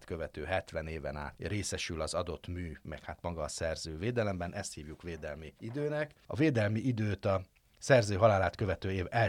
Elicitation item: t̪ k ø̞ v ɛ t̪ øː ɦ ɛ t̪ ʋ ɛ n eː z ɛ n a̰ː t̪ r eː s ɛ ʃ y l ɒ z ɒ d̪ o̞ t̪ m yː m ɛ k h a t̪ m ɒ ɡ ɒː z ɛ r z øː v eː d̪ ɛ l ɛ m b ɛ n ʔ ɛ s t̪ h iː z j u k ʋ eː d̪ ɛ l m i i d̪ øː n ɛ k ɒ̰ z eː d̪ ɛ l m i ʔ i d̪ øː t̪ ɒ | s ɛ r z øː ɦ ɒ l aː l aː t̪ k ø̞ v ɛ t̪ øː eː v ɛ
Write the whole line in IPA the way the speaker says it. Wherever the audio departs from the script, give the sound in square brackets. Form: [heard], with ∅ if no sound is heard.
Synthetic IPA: t̪ k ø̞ v ɛ t̪ øː ɦ ɛ t̪ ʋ ɛ n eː [v] ɛ n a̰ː t̪ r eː s ɛ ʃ y l ɒ z ɒ d̪ o̞ t̪ m yː m ɛ k h a t̪ m ɒ ɡ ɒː [s] ɛ r z øː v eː d̪ ɛ l ɛ m b ɛ n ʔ ɛ s t̪ h iː [v] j u k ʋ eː d̪ ɛ l m i i d̪ øː n ɛ k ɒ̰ [v] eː d̪ ɛ l m i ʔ i d̪ øː t̪ ɒ | s ɛ r z øː ɦ ɒ l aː l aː t̪ k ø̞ v ɛ t̪ øː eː v ɛ